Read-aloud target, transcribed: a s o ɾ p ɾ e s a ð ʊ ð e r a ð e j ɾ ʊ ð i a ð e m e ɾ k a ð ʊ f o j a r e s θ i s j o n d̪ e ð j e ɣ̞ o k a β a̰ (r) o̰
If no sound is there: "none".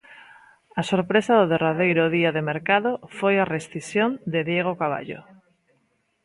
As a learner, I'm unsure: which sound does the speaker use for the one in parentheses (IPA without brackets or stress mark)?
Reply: ʎ